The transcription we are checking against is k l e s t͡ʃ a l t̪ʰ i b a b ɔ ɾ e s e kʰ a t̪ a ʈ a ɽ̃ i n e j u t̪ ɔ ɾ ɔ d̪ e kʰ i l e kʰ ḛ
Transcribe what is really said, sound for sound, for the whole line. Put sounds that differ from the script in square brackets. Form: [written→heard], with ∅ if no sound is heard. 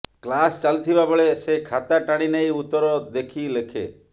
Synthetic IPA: k l [e→a] s t͡ʃ a l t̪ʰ i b a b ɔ [ɾ→ɭ] e s e kʰ a t̪ a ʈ a ɽ̃ i n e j u t̪ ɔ ɾ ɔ d̪ e kʰ i l e kʰ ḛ